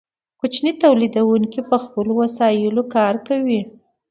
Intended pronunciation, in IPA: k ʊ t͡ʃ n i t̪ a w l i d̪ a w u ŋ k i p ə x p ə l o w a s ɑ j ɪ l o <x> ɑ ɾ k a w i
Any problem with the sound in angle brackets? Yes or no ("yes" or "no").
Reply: yes